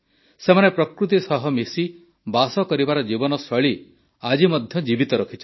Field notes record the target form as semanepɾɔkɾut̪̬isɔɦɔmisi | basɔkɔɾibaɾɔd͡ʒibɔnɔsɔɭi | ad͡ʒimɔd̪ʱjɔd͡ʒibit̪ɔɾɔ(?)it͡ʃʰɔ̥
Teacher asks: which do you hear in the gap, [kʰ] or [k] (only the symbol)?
kʰ